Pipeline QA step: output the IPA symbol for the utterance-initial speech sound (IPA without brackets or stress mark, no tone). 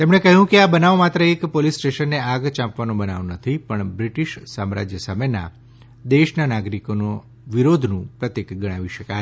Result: t̪